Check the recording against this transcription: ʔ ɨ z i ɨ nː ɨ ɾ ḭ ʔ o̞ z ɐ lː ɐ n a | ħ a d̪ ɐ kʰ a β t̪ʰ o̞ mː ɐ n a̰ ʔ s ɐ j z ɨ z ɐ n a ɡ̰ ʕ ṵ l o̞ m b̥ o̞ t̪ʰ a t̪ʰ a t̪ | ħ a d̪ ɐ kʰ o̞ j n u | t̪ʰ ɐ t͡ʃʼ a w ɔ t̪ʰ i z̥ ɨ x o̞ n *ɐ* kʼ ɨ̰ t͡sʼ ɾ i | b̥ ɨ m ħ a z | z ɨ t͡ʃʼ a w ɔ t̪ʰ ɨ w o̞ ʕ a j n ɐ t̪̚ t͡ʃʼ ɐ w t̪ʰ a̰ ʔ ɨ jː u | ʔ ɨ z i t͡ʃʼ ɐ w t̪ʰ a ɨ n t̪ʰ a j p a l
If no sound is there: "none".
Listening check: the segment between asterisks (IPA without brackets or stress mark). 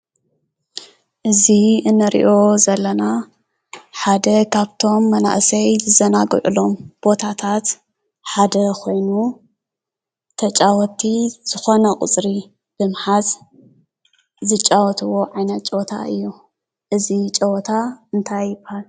ɐ